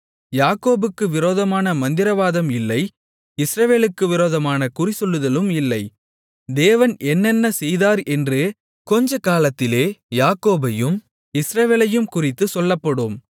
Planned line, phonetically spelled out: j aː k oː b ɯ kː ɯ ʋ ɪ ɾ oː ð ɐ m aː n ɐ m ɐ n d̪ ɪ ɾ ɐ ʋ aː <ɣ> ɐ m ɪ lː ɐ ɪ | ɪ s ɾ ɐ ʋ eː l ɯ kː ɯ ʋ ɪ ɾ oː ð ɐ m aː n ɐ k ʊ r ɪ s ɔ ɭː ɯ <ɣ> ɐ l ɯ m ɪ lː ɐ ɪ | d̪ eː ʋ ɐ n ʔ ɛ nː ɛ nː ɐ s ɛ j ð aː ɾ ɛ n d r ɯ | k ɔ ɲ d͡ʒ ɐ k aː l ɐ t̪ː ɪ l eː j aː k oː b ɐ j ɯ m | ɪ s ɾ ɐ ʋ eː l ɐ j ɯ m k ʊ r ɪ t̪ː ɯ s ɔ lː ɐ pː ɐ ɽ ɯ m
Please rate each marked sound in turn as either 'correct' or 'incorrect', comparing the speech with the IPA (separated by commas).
incorrect, incorrect